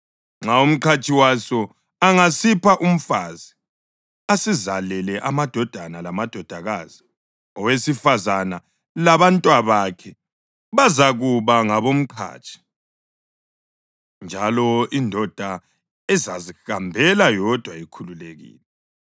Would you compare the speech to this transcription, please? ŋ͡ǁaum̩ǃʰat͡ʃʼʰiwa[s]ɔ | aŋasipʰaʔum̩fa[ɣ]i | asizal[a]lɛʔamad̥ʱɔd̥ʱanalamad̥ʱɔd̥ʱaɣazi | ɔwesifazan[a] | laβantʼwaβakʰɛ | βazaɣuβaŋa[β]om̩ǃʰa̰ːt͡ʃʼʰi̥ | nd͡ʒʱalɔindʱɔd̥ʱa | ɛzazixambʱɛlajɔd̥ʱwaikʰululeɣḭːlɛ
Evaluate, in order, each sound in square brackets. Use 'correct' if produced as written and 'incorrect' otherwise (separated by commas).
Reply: correct, incorrect, incorrect, correct, correct